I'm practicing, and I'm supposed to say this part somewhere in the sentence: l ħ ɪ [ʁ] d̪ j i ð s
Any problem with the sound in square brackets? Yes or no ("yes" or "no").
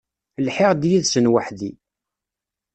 no